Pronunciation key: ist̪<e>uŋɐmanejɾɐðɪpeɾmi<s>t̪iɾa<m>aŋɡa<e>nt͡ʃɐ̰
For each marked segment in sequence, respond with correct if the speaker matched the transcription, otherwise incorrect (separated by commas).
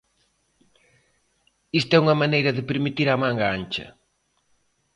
incorrect, incorrect, correct, incorrect